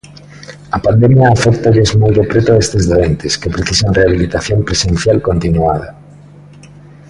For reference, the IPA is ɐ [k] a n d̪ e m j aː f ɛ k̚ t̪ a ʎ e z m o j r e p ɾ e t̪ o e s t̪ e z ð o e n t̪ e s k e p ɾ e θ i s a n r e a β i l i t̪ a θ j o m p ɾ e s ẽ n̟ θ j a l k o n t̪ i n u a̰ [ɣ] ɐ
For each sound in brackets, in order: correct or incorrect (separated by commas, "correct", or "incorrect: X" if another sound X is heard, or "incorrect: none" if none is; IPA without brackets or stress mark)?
incorrect: p, incorrect: ð